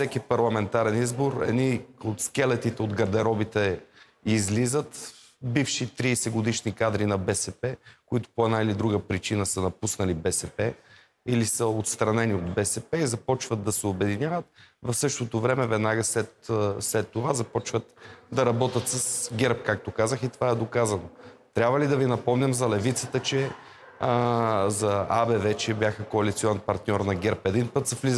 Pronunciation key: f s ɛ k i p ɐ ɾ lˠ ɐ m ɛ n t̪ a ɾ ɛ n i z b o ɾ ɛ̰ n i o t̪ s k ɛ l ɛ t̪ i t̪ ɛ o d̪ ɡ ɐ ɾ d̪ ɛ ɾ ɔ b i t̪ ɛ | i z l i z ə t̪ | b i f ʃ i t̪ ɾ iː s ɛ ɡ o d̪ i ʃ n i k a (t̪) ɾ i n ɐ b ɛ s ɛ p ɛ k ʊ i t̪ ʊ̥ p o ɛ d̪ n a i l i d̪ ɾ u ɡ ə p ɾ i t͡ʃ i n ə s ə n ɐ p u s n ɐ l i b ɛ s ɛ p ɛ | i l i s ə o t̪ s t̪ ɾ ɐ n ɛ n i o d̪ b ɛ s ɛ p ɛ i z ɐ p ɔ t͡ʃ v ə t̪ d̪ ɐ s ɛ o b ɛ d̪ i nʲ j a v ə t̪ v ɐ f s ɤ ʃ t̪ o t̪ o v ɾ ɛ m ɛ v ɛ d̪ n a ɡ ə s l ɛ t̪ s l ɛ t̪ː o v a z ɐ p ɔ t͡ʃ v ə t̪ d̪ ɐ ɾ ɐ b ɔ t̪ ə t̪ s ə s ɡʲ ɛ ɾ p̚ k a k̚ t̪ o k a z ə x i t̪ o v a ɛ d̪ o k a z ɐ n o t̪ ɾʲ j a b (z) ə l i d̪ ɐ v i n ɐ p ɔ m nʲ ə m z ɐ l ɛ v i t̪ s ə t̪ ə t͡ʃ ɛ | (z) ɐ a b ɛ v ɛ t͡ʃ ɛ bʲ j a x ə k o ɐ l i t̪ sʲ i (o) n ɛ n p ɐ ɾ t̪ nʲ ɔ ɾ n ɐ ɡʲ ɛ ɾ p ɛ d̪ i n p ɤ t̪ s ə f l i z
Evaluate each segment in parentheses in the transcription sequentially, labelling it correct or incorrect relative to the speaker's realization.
incorrect: d̪, incorrect: v, correct, incorrect: ɔ

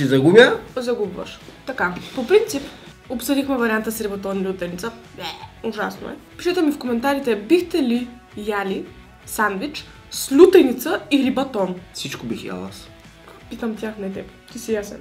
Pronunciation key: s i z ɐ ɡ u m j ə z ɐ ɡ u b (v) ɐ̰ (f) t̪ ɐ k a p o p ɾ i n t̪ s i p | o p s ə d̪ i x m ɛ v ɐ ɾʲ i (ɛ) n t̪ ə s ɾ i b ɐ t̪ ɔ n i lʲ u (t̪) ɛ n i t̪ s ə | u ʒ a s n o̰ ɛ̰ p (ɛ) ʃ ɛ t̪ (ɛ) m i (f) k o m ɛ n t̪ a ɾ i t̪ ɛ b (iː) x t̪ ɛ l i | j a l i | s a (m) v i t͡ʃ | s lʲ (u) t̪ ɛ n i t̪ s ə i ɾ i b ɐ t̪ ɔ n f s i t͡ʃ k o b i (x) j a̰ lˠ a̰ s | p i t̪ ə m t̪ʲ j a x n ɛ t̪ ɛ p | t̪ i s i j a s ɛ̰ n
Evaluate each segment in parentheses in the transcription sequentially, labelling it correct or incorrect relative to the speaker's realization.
correct, incorrect: ʃ, incorrect: a, correct, incorrect: i, correct, correct, incorrect: i, incorrect: n, correct, correct

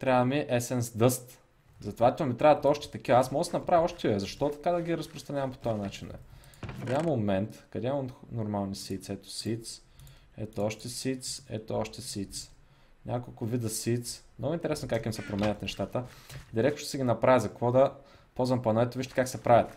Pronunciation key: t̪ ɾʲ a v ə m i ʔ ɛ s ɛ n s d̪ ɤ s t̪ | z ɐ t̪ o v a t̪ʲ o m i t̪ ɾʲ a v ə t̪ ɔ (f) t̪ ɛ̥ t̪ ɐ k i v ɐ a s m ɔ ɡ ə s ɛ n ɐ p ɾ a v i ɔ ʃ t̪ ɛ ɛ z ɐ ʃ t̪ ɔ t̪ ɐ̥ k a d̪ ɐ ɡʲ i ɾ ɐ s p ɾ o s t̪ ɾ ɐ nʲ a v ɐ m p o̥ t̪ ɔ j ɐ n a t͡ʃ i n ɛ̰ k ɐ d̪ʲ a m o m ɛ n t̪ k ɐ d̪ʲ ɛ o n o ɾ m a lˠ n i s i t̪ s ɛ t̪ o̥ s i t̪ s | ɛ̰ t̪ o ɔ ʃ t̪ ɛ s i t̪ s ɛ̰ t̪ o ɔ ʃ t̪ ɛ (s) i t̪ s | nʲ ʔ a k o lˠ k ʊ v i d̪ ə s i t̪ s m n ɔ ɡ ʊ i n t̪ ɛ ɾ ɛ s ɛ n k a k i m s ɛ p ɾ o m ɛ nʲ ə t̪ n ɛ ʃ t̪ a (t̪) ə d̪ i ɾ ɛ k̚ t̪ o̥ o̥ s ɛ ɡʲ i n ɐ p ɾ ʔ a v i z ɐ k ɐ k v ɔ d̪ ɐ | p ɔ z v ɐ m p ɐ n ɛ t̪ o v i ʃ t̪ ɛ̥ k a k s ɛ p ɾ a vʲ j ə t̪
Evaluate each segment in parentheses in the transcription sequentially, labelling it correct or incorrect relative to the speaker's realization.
incorrect: ʃ, correct, correct

